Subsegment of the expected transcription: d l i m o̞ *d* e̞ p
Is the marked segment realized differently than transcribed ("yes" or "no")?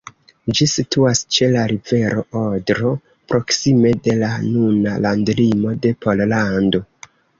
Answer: no